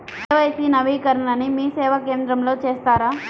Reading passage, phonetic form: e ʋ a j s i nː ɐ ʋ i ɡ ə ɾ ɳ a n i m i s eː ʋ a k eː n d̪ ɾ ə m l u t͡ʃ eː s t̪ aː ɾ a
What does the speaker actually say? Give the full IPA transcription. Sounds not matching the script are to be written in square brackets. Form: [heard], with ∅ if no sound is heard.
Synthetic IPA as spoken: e ʋ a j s i [n] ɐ ʋ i [k] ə ɾ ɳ a n i m i s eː ʋ a k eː n d̪ ɾ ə m l [o] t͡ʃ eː s t̪ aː ɾ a